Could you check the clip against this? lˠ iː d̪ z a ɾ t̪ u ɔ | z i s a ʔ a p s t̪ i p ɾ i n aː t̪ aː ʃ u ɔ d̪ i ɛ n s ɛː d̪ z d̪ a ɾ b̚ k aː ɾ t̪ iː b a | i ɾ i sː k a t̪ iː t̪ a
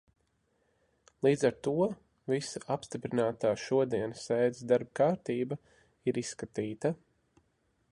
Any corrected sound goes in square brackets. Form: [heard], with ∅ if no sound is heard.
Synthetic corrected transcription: lˠ iː d̪ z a ɾ t̪ u ɔ | [v] i s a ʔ a p s t̪ i p ɾ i n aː t̪ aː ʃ u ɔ d̪ i ɛ n s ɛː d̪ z d̪ a ɾ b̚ k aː ɾ t̪ iː b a | i ɾ i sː k a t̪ iː t̪ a